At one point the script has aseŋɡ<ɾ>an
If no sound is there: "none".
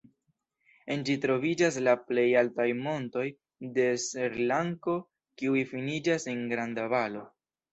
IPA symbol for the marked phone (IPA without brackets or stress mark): ɾ